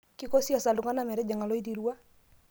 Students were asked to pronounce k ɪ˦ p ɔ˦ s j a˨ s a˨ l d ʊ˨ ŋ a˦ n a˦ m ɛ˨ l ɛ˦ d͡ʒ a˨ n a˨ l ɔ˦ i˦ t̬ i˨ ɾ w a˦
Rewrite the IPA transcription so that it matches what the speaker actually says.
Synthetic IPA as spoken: k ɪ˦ k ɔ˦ s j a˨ s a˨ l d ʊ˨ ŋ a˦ n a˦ m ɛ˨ ɾ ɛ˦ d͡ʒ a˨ ŋ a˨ l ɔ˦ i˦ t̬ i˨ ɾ w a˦